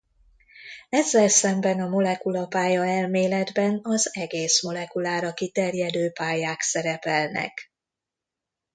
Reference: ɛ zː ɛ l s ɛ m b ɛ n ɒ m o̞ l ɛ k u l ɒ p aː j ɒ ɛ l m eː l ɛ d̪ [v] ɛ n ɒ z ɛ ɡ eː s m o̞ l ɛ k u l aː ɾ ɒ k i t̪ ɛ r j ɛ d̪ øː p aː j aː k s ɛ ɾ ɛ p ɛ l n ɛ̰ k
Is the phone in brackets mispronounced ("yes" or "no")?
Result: yes